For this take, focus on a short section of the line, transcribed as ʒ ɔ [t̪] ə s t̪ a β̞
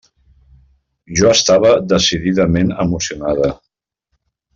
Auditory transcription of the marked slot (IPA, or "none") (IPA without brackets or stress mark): none